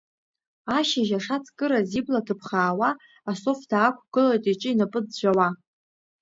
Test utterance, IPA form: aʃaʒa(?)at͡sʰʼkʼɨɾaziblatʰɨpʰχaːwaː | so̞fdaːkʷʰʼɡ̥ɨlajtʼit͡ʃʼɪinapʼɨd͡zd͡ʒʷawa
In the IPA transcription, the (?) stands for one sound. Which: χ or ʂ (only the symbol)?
ʂ